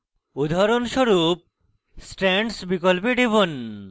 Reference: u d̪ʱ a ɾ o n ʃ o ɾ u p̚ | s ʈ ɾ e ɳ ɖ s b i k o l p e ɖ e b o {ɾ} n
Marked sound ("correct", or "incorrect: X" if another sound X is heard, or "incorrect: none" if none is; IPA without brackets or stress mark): incorrect: none